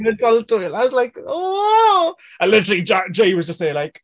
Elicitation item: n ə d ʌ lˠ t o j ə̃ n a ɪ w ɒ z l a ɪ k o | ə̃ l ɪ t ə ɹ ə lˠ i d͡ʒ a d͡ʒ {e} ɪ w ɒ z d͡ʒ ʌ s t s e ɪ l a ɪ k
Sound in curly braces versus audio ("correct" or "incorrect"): correct